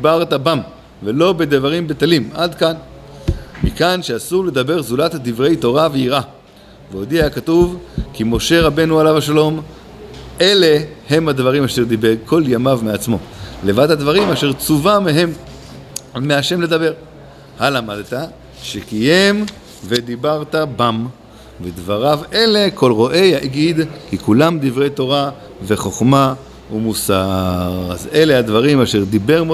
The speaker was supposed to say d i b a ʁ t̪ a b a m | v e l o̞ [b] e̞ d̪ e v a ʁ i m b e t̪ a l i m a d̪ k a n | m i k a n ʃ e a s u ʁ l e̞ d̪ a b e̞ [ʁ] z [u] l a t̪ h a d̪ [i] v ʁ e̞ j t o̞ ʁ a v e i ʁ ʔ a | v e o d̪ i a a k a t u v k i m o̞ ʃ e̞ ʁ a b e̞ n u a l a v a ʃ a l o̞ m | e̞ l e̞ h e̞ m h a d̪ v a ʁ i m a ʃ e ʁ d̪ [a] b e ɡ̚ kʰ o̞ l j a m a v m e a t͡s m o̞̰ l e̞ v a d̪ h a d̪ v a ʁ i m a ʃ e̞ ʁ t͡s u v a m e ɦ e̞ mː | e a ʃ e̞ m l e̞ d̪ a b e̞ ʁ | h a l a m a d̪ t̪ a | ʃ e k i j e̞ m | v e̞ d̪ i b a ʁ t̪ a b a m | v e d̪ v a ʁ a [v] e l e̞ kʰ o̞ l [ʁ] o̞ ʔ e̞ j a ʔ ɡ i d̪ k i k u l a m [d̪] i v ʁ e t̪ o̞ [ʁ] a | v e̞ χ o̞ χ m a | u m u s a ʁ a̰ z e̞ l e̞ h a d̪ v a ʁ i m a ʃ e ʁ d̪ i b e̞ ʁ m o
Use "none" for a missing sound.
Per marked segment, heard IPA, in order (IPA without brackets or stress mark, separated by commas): b, ʁ, u, i, i, v, ʁ, d̪, ʁ